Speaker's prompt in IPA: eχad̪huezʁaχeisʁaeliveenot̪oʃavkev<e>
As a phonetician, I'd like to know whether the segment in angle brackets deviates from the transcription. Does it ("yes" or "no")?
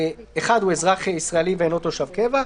yes